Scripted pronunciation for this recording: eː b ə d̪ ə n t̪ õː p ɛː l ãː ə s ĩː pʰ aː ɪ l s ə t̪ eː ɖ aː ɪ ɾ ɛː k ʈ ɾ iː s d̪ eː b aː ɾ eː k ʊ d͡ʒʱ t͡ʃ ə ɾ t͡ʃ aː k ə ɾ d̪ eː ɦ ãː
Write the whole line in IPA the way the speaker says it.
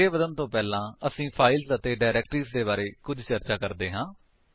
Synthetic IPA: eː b ə d̪ ə n t̪ õː p ɛː l ãː ə s ĩː pʰ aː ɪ l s ə t̪ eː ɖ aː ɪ ɾ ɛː k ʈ ɾ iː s d̪ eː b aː ɾ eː k ʊ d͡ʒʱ t͡ʃ ə ɾ t͡ʃ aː k ə ɾ d̪ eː ɦ ãː